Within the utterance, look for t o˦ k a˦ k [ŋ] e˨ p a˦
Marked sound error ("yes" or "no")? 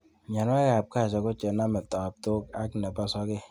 yes